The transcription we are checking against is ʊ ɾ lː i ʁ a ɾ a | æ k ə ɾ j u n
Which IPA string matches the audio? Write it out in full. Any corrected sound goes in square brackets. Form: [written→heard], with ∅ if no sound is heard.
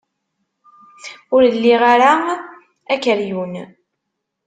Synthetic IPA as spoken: ʊ ɾ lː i ʁ a ɾ a | æ k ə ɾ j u n